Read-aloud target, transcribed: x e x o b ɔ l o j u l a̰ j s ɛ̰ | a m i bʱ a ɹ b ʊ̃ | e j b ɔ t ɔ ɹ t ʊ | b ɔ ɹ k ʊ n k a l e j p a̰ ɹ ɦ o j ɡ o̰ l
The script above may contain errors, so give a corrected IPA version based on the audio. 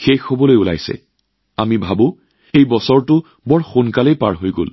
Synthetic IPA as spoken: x e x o b ɔ l o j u l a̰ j s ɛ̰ | a m i bʱ a b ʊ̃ | e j b ɔ s ɔ ɹ t ʊ | b ɔ ɹ x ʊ n k a l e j p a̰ ɹ ɦ o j ɡ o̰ l